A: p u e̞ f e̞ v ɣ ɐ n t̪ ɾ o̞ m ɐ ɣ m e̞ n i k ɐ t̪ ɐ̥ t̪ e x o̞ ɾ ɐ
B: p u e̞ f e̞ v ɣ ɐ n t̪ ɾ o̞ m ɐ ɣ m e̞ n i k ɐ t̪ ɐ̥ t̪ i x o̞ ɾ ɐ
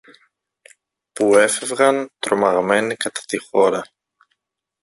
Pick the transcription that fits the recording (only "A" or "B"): B